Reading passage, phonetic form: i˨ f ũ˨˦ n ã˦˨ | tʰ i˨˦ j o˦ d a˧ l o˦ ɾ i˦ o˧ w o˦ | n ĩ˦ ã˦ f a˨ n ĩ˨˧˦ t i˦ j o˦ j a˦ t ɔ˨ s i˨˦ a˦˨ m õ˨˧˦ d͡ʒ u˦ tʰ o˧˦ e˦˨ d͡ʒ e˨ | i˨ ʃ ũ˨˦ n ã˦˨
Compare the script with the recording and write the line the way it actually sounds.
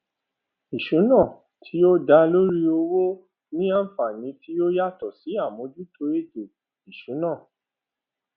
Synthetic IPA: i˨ ʃ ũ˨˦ n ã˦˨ | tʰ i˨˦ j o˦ d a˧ l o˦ ɾ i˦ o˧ w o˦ | n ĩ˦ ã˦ f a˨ n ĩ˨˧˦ t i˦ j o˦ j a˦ t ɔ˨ s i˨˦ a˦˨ m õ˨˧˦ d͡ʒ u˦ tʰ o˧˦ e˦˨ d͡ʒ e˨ | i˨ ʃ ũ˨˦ n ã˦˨